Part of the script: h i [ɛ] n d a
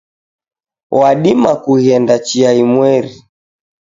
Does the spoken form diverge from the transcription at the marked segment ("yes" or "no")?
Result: no